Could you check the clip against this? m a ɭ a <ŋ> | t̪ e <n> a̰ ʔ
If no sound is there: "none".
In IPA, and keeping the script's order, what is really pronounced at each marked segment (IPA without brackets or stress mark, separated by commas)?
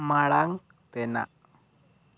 ŋ, n